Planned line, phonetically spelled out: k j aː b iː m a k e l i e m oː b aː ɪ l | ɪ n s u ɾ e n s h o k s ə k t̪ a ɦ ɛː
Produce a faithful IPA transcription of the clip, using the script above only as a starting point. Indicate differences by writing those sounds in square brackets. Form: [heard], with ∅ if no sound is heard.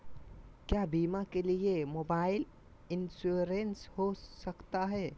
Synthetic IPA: k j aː b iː m a k e l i e m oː b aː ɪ l | ɪ n s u ɾ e n s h o [∅] s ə k t̪ a ɦ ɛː

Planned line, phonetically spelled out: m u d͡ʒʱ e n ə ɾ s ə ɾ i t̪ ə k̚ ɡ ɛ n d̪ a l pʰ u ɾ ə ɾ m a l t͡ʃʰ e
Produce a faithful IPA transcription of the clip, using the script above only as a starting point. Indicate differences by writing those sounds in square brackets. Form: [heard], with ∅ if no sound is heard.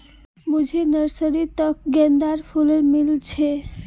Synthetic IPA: m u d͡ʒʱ e n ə ɾ s ə ɾ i t̪ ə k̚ ɡ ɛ n d̪ a [ɾ] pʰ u [l] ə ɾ m [i] l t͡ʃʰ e

